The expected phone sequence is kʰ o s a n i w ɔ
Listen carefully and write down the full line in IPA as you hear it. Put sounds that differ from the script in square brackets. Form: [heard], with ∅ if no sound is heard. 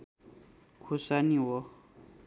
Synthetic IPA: kʰ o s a n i w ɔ